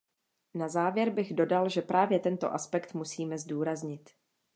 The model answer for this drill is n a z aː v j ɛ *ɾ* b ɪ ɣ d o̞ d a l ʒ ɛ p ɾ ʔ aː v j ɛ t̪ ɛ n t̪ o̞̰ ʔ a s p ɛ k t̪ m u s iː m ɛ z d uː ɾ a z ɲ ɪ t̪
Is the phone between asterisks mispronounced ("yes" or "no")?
no